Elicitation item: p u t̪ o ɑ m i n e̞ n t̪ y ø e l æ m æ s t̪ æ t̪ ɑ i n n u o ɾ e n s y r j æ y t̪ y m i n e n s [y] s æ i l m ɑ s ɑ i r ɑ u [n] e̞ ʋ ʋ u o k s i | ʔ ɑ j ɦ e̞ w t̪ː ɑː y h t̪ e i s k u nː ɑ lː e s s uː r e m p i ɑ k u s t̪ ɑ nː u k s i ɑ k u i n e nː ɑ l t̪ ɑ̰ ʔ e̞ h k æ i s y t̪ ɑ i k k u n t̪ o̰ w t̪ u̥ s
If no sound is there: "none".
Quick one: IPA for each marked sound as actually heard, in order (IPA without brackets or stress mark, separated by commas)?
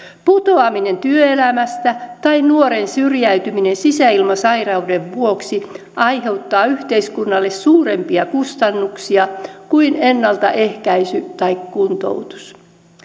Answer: i, d